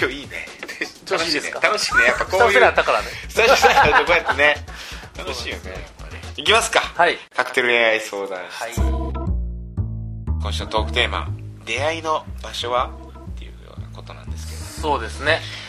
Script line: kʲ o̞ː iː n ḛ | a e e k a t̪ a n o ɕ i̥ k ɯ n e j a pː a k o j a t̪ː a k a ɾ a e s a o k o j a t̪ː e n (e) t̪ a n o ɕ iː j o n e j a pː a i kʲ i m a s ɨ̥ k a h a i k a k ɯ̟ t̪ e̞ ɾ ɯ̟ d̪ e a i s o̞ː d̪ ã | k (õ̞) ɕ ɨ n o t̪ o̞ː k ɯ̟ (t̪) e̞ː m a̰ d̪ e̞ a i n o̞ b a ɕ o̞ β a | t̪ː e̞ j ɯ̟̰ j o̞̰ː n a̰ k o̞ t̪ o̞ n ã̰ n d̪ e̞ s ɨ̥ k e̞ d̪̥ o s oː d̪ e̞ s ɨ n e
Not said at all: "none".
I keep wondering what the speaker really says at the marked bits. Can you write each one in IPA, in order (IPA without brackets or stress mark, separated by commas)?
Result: e, õ̞, t̪